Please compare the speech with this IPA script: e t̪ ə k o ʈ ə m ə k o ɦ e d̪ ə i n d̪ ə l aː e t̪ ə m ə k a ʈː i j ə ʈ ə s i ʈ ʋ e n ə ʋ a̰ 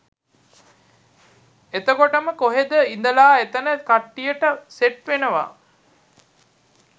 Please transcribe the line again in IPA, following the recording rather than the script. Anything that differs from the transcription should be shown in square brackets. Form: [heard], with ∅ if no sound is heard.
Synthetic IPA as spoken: e t̪ ə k o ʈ ə m ə k o ɦ e d̪ ə i n d̪ ə l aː e t̪ ə [n] ə k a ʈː i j ə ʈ ə s [e] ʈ ʋ e n ə ʋ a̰